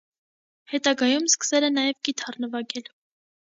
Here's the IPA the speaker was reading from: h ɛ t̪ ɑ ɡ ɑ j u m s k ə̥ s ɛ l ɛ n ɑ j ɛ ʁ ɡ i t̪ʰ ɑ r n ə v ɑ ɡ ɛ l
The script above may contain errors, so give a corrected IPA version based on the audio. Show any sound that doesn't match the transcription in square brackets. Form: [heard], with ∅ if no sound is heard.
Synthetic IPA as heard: h ɛ t̪ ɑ ɡ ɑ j u m s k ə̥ s ɛ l ɛ n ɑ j ɛ [v] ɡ i t̪ʰ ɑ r n ə v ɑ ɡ ɛ l